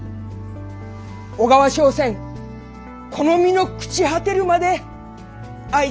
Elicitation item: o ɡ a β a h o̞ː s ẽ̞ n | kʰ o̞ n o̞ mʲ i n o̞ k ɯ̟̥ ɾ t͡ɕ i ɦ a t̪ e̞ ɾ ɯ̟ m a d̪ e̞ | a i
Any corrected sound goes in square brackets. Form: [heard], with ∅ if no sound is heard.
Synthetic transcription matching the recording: o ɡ a β a [ɕ] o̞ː s ẽ̞ [ŋ] | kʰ o̞ n o̞ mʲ i n o̞ k ɯ̟̥ [∅] t͡ɕ i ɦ a t̪ e̞ ɾ ɯ̟ m a d̪ e̞ | a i